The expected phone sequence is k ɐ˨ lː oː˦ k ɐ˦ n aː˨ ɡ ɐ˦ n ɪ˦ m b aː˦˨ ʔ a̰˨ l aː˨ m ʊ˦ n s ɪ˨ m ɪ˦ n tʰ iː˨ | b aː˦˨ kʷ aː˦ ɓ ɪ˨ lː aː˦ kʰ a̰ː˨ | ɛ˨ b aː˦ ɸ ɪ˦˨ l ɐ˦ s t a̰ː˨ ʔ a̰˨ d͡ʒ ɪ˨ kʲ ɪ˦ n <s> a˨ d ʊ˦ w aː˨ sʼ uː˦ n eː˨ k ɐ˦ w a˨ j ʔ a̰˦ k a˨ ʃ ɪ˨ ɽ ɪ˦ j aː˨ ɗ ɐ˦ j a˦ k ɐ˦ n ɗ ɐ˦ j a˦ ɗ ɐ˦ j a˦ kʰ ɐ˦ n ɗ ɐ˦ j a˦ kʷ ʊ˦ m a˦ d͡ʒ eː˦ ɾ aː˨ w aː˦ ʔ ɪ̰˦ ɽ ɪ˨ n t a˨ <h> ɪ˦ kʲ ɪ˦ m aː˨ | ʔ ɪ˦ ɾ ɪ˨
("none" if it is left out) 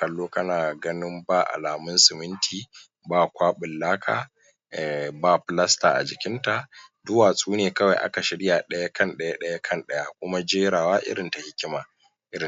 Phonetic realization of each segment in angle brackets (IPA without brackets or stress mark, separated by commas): t, h